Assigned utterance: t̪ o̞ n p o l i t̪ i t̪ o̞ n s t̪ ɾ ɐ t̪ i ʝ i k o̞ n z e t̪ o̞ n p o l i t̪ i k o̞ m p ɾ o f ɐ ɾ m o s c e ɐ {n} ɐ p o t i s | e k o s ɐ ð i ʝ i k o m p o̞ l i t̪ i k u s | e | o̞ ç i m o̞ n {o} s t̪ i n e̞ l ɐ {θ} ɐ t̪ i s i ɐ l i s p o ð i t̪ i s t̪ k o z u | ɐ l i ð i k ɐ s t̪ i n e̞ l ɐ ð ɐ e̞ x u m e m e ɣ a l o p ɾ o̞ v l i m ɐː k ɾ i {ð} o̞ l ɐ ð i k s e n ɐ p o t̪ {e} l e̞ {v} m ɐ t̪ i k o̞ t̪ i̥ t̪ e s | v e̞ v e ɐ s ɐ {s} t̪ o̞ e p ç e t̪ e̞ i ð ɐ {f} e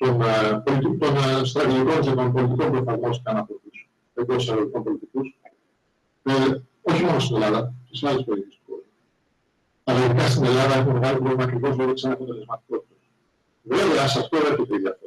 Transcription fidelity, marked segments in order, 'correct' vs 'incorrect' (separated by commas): correct, correct, incorrect, incorrect, correct, incorrect, incorrect, correct